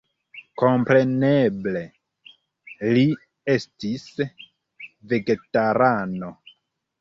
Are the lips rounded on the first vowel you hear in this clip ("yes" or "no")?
yes